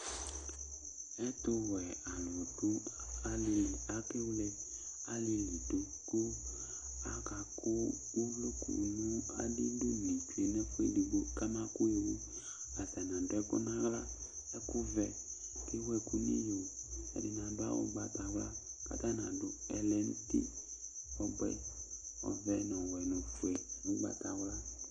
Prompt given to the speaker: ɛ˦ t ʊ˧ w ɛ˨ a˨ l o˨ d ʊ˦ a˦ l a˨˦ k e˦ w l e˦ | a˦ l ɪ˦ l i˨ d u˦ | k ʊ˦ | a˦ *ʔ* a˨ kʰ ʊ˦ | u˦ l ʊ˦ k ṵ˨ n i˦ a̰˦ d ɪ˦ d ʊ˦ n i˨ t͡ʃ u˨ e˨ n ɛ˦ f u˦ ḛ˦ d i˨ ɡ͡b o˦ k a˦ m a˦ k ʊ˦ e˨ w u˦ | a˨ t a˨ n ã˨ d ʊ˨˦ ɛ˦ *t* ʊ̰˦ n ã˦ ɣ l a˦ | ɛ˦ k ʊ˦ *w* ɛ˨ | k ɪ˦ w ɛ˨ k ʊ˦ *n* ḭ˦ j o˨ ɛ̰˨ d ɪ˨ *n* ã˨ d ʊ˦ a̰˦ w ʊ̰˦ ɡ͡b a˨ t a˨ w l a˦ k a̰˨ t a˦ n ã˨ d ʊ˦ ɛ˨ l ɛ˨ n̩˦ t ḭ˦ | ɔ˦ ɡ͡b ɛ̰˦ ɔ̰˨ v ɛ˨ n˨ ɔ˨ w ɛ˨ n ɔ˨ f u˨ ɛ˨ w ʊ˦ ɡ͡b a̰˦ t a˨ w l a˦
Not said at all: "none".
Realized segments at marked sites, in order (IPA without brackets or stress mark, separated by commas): k, k, v, n, n